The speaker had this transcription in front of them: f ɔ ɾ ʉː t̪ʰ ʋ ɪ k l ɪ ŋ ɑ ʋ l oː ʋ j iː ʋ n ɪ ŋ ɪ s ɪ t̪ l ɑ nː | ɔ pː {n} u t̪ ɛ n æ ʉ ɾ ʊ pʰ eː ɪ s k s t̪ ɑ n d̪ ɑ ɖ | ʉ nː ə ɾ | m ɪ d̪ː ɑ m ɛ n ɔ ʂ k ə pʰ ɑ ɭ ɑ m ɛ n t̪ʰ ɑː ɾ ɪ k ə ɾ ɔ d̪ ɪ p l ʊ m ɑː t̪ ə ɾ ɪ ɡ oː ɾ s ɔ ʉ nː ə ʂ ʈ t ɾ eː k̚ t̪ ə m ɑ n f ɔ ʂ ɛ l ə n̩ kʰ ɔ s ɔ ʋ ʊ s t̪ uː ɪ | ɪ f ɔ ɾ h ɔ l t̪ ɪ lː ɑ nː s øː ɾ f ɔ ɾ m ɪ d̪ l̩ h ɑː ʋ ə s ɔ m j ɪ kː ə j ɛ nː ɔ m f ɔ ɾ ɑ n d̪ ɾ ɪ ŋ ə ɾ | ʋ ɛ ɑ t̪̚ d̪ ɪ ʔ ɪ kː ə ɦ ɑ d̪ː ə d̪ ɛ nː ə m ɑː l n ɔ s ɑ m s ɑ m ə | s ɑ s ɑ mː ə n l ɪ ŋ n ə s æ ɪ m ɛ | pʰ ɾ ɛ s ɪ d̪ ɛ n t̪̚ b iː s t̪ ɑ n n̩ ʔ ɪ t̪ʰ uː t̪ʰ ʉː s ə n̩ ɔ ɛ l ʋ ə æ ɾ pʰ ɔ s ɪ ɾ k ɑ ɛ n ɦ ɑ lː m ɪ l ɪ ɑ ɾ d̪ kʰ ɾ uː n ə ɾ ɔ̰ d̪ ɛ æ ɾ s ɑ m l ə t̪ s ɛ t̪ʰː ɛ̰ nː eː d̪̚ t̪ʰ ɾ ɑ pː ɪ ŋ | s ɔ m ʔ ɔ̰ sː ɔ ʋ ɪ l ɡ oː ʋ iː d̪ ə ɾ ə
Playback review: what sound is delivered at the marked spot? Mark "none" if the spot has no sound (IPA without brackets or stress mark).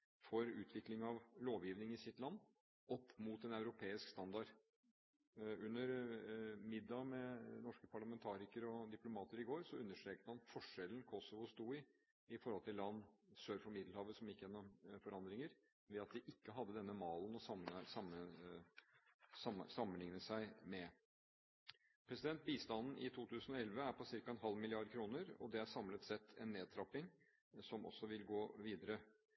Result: m